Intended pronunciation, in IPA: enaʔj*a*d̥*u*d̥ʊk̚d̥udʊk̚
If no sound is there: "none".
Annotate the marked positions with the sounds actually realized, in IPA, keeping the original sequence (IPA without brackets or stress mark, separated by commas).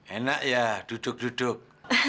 a, u